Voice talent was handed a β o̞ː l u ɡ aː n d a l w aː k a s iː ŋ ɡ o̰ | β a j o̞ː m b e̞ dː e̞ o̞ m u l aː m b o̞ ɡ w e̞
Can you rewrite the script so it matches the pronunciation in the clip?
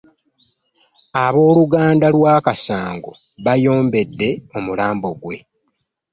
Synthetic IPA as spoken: a β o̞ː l u ɡ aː n d a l w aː k a s aː ŋ ɡ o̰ | β a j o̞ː m b e̞ dː e̞ o̞ m u l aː m b o̞ ɡ w e̞